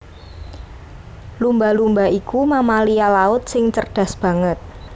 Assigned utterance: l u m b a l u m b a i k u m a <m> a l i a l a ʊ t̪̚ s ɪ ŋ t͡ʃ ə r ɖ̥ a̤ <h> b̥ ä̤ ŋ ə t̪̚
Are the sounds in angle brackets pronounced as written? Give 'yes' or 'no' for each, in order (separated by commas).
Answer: yes, no